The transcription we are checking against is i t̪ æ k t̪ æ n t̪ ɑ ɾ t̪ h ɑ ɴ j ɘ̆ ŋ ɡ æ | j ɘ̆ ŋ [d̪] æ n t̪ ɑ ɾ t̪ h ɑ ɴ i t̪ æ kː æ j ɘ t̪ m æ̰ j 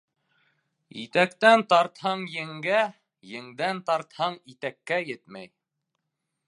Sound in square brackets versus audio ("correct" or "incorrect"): correct